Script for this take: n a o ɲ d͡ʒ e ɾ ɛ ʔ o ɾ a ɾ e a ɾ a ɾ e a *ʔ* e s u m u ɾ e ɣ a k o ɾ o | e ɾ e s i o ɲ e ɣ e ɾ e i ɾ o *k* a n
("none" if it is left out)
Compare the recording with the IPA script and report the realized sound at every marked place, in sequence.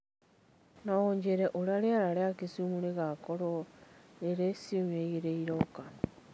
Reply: k, k

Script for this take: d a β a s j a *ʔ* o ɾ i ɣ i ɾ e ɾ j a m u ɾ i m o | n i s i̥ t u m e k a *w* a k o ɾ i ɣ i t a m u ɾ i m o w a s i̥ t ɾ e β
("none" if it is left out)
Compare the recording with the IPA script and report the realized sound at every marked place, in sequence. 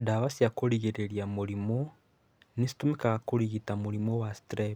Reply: k, ɣ

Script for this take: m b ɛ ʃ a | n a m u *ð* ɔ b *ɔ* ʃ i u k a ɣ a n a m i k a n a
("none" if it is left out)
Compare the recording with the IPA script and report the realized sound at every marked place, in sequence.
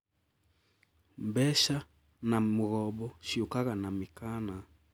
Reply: ɣ, ɔ

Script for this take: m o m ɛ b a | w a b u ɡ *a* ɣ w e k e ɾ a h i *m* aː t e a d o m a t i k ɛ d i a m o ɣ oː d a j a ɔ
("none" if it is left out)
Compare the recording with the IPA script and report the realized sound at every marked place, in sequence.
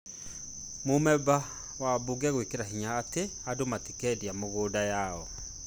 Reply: ɛ, ɲ

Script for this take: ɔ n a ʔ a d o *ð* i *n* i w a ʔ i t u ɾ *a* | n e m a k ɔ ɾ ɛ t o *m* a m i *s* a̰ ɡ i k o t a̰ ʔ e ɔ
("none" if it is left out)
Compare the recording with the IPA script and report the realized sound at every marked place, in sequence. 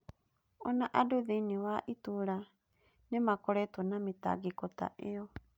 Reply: ð, n, a, n, t

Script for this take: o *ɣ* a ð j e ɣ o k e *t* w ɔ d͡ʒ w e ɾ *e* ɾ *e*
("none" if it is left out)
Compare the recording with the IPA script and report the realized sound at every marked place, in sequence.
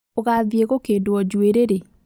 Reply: ɣ, d, e, e

